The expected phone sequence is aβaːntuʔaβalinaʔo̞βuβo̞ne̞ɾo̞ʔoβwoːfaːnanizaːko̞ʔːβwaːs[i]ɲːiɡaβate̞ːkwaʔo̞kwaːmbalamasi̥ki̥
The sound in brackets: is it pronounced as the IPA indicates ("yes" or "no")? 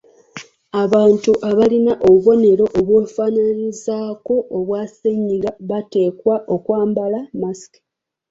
no